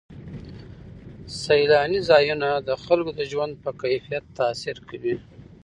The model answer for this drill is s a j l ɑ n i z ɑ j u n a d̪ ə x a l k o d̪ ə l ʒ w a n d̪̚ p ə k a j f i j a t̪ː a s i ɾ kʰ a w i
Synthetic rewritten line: s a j l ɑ n i z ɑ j u n a d̪ ə x a l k o d̪ ə ʒ w a n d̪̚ p ə k a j f i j a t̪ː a s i ɾ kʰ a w i